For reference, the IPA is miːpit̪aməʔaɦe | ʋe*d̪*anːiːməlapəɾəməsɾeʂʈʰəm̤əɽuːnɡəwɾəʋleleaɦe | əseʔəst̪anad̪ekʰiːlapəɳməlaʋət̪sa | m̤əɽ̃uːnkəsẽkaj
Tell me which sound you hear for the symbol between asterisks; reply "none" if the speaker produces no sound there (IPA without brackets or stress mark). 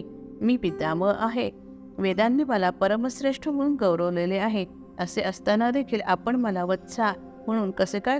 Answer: d̪